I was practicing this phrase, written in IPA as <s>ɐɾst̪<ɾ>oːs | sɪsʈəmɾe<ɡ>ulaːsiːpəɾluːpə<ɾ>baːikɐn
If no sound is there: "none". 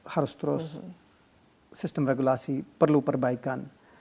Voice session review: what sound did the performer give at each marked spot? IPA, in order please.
h, ɾ, ɡ, ɾ

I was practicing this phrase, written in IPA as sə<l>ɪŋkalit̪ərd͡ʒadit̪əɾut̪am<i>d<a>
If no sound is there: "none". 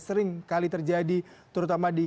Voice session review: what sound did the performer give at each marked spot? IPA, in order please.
ɾ, a, i

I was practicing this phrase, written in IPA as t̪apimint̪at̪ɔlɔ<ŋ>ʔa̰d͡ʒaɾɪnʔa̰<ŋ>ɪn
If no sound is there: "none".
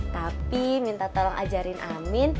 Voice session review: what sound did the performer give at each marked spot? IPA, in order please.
ŋ, m

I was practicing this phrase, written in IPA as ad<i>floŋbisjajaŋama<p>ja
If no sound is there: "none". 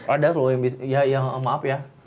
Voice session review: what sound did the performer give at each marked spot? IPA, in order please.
a, p

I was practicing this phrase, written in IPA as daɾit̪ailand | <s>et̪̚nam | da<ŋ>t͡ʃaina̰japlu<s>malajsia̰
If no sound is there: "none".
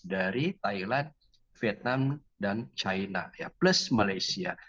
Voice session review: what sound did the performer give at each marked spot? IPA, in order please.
f, n, s

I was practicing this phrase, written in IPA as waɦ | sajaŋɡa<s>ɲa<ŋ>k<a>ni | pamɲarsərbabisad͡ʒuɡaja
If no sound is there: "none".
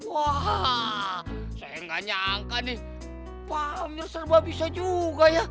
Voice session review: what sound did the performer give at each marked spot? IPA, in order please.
none, ŋ, a

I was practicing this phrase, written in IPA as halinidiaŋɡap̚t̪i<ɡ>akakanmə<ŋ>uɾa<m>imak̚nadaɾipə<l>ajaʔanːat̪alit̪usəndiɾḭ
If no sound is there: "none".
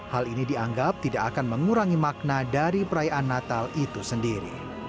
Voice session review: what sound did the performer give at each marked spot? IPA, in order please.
d, ŋ, ŋ, ɾ

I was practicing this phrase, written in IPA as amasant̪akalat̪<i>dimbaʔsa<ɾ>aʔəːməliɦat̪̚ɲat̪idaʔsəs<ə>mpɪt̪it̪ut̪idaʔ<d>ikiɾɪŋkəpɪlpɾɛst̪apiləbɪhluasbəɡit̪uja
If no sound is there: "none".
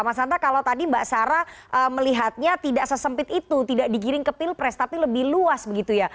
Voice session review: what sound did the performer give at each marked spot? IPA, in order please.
a, ɾ, ə, d

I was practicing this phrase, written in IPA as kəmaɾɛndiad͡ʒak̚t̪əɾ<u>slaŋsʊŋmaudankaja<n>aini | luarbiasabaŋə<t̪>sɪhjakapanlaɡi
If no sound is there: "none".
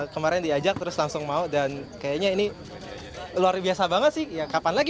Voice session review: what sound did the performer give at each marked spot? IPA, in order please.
ʊ, ɲ, t̪

